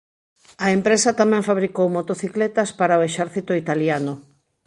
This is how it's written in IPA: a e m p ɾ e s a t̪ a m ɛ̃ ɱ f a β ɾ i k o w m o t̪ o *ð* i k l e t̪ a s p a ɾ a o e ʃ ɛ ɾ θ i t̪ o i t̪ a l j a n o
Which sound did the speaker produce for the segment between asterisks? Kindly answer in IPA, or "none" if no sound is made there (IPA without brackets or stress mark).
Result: θ